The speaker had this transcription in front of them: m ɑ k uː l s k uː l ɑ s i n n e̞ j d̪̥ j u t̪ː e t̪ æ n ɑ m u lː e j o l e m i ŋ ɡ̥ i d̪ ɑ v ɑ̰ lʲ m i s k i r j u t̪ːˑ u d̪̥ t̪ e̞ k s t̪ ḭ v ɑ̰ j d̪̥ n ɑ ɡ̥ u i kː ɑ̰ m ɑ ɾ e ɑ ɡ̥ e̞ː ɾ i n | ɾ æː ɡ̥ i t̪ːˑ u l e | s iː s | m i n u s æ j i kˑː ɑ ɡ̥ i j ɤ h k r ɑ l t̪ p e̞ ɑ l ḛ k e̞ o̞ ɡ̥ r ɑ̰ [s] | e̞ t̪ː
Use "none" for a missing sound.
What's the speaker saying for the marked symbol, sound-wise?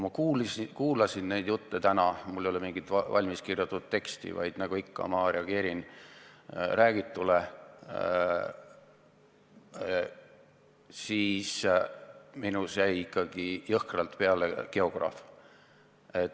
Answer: f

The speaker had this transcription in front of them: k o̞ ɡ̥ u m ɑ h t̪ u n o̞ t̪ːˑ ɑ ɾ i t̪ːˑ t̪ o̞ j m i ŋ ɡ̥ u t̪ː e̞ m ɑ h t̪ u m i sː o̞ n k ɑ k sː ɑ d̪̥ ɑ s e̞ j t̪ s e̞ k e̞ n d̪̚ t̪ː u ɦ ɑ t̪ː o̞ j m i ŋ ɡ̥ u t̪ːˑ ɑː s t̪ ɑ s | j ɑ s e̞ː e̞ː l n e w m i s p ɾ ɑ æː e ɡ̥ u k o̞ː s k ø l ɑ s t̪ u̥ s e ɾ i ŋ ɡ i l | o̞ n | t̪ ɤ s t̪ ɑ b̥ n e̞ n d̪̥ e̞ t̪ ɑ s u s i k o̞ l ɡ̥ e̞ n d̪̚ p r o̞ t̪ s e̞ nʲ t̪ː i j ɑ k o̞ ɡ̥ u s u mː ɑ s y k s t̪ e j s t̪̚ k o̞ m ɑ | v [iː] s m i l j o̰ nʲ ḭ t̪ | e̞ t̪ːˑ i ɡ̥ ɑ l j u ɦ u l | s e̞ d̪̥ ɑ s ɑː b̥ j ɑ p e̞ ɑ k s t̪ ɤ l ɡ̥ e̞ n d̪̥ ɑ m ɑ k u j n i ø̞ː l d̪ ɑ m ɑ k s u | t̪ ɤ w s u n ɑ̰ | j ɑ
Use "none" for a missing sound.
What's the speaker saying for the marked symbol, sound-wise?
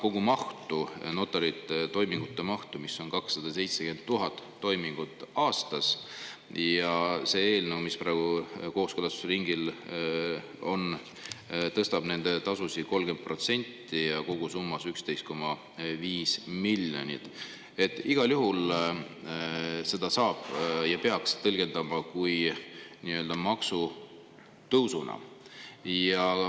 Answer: iː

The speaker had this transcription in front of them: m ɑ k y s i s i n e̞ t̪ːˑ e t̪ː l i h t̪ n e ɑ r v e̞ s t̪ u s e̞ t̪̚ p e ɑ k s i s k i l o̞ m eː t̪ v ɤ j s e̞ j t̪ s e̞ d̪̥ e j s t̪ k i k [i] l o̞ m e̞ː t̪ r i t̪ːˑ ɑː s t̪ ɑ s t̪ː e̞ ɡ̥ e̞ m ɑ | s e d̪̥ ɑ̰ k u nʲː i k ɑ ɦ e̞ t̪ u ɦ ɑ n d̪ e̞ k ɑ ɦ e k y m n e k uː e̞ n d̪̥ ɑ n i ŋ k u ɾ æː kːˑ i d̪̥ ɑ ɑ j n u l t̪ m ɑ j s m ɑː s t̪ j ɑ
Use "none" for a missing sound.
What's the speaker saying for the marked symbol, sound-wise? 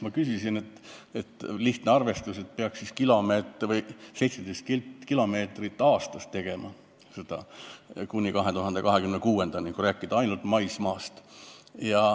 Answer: i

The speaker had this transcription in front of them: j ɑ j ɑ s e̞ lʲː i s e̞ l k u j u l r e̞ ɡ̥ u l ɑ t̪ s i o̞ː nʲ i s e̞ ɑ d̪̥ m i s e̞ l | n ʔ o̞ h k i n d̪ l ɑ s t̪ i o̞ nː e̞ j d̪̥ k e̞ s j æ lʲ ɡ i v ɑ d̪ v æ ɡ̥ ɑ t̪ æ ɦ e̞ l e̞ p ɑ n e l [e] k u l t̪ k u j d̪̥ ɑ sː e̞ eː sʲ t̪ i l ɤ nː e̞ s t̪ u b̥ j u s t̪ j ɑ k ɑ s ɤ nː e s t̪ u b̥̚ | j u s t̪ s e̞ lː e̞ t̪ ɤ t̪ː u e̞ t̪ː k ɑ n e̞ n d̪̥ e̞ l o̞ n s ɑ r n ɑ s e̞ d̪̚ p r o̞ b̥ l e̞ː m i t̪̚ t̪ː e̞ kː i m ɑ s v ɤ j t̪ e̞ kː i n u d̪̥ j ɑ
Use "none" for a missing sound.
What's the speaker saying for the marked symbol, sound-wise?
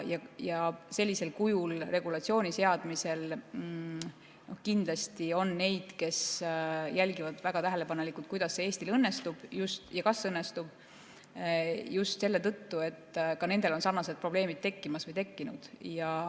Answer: i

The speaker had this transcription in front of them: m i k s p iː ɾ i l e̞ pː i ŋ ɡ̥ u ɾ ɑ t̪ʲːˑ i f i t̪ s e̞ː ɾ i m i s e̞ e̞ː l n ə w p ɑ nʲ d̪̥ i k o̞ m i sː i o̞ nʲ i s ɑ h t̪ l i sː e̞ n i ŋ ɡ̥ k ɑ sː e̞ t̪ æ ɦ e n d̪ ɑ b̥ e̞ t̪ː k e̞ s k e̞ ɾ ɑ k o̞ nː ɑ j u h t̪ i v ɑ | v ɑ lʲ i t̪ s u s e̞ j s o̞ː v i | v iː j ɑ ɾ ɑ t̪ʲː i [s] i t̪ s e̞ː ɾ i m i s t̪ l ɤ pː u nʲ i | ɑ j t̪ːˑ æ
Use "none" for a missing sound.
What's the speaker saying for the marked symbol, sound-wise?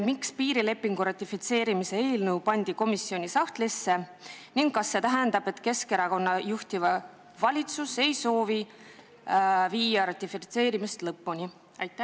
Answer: f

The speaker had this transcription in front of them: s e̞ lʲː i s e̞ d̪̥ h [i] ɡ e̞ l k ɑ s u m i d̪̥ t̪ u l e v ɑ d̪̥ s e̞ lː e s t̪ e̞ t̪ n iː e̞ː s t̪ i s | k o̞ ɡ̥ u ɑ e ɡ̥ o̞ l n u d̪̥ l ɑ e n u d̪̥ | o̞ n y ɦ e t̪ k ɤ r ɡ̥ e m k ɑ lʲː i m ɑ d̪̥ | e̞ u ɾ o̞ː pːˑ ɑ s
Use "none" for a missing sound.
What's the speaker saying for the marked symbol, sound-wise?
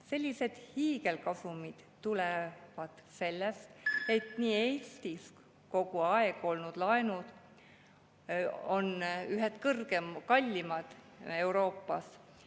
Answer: iː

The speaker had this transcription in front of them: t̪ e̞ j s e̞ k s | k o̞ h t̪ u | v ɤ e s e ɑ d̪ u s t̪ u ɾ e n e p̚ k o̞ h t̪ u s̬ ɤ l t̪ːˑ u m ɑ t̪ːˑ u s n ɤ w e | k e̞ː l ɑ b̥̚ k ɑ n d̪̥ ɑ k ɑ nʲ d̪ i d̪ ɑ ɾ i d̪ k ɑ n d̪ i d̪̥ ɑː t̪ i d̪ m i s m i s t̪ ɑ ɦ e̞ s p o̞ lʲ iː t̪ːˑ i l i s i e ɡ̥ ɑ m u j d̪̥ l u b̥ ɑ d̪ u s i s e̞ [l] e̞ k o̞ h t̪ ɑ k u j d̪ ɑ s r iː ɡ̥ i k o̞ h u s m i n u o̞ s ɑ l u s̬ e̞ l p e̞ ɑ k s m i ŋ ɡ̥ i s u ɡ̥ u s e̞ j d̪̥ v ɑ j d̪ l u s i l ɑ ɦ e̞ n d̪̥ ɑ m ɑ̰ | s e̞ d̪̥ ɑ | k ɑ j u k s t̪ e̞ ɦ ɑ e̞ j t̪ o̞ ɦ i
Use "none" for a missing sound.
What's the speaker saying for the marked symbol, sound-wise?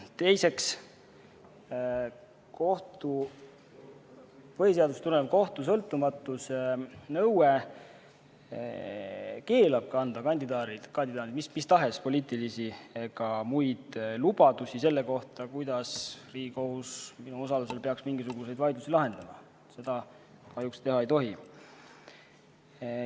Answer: lː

